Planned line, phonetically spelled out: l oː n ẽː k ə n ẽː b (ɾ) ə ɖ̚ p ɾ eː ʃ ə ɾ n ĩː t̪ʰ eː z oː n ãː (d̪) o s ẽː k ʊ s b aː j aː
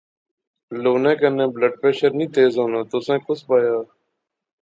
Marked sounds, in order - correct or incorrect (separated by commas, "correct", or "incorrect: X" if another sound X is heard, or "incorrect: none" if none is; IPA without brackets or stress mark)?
incorrect: l, incorrect: t̪